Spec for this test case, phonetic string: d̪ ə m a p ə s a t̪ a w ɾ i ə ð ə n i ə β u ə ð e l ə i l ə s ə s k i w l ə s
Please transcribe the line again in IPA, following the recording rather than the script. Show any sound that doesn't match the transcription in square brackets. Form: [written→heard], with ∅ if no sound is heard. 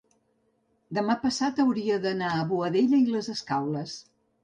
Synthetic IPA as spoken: d̪ ə m a p ə s a t̪ [a→ə] w ɾ i ə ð ə n [i→a] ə β u ə ð e [l→ʎ] ə i l ə [s→z] ə s k [i→a] w l ə s

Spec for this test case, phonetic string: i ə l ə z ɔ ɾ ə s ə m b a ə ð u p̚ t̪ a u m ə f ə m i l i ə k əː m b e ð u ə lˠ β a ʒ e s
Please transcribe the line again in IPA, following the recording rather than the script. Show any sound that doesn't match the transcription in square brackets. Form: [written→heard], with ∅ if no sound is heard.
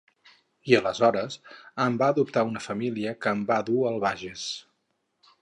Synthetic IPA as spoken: i ə l ə z ɔ ɾ ə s ə m b a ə ð u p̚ t̪ a u [m→n] ə f ə m i l i ə k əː m b [e→a] ð u ə lˠ β a ʒ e s

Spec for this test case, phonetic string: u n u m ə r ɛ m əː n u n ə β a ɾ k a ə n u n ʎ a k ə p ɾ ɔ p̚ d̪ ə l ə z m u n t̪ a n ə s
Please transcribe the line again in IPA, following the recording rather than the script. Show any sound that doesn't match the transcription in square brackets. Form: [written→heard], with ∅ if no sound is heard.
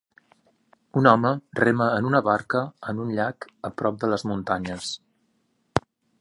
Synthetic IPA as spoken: u n [u→ɔ] m ə r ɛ m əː n u n ə β a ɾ k [a→ə] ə n u n ʎ a k ə p ɾ ɔ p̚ d̪ ə l ə z m u n t̪ a [n→ɲ] ə s

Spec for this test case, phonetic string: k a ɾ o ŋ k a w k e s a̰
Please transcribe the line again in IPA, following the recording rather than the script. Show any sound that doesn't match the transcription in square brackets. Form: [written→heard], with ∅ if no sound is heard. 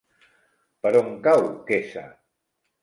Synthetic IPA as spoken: [k→p] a ɾ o ŋ k a w k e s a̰

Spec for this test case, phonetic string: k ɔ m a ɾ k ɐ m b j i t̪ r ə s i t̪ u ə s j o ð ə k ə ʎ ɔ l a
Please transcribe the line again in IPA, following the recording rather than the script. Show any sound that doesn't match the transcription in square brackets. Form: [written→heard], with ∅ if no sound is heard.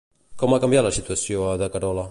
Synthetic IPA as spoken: k ɔ m a [ɾ→∅] k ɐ m b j [i→a] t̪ [r→l] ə s i t̪ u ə s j o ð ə k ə [ʎ→ɾ] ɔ l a

